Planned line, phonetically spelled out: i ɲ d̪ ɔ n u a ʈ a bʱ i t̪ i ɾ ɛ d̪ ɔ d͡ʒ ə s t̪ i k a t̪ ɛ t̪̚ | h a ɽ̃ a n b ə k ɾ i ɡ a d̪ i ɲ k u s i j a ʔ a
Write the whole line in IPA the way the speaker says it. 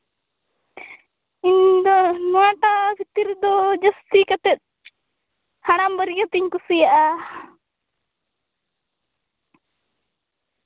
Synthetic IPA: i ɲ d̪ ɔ n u a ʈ a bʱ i t̪ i ɾ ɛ d̪ ɔ d͡ʒ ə s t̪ i k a t̪ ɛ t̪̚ | h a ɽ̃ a m b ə ɾ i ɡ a t̪ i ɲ k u s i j a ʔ a